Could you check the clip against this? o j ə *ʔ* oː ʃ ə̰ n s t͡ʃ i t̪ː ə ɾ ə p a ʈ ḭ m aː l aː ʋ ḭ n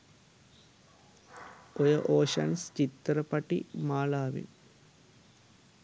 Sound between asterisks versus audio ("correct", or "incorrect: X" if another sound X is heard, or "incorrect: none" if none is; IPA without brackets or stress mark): correct